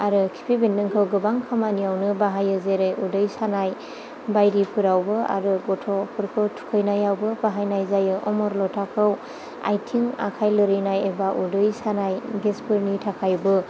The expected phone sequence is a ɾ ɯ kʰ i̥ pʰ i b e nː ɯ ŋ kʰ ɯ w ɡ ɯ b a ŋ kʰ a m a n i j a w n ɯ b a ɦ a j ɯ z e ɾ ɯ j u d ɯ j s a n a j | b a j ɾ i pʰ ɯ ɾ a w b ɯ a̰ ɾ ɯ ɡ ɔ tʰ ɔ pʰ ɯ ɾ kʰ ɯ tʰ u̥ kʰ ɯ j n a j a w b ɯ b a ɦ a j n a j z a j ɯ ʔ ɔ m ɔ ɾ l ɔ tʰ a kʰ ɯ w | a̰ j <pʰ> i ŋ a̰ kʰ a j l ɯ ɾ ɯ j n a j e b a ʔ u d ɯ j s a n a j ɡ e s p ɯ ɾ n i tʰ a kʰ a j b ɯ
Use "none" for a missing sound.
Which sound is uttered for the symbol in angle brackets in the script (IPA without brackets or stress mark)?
tʰ